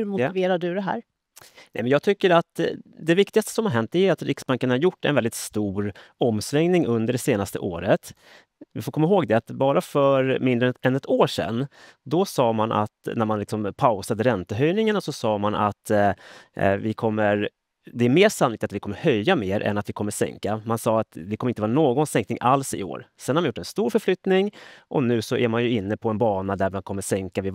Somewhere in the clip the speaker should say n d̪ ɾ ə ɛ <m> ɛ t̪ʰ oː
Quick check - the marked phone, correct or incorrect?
incorrect: n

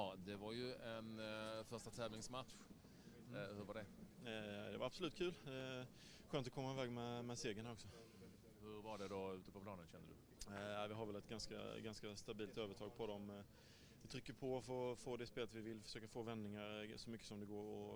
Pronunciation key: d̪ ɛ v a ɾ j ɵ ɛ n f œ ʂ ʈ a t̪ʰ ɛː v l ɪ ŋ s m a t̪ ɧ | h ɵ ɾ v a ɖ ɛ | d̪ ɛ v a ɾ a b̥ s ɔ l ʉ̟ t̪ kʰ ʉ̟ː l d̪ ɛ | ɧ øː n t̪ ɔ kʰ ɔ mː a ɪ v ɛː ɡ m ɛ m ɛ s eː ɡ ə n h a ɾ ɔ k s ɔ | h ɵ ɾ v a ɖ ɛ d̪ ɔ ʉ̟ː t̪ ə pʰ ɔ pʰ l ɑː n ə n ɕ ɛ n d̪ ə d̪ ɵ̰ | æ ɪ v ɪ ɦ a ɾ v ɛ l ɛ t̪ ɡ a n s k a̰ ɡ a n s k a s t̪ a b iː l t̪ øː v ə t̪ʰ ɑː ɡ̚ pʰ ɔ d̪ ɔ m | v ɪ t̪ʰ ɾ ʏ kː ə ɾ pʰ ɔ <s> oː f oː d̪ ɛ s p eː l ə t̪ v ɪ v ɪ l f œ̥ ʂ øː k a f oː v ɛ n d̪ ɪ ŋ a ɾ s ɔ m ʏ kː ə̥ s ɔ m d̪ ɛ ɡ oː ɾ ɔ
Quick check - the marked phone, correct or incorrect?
incorrect: f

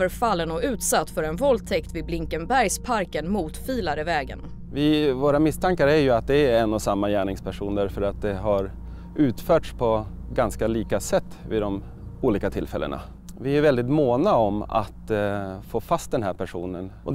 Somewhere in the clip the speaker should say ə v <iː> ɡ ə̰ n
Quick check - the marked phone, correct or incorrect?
incorrect: ɛː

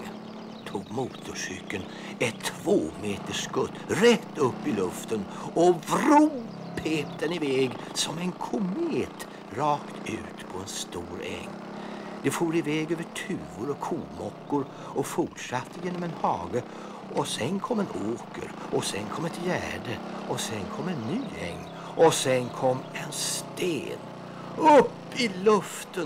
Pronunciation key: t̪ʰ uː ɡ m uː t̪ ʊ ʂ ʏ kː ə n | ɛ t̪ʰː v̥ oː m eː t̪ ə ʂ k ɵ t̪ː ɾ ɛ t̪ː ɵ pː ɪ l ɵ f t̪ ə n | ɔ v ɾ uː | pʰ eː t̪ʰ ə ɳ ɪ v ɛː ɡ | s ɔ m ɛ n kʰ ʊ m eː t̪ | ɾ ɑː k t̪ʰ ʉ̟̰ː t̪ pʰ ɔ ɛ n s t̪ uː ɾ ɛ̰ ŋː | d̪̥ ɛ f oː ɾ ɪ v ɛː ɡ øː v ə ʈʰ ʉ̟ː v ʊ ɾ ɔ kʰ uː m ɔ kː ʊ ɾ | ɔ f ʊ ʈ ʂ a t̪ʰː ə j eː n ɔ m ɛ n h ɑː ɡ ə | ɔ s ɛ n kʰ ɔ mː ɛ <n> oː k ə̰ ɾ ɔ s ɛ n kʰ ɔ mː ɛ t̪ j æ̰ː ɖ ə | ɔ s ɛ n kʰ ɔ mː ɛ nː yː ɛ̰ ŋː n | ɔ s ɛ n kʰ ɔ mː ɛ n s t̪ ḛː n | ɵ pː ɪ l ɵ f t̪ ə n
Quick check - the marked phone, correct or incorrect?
correct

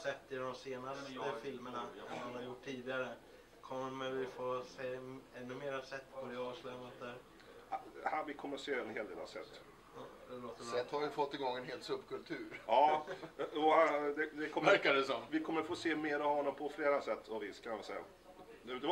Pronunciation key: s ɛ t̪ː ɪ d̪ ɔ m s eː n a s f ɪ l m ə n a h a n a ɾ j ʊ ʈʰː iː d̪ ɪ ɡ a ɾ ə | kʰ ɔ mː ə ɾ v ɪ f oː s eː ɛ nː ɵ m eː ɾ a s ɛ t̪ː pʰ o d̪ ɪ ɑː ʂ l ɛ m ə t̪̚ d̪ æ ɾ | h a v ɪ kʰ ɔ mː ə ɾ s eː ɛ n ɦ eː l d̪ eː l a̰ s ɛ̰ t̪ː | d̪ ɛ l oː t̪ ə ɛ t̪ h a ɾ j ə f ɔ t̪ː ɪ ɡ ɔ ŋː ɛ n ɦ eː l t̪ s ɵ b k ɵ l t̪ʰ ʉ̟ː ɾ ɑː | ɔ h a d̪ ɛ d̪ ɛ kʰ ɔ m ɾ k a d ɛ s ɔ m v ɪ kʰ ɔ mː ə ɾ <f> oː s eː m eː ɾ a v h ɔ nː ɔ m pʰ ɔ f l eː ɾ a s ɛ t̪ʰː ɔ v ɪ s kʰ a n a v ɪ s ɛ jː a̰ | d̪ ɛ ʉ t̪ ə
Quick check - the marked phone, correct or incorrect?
correct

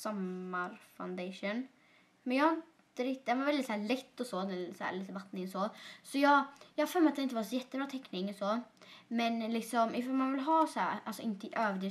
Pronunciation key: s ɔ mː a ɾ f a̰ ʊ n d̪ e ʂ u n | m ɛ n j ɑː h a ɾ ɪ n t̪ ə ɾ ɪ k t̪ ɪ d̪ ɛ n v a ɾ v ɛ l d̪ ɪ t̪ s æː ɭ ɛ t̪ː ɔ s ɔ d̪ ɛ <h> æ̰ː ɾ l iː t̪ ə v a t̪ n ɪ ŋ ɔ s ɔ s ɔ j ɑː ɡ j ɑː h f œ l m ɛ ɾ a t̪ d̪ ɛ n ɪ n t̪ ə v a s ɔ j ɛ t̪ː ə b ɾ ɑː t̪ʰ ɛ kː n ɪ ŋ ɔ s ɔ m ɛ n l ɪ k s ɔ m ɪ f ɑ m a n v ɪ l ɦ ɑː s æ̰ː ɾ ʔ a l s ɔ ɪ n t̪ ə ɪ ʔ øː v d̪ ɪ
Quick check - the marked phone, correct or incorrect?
incorrect: s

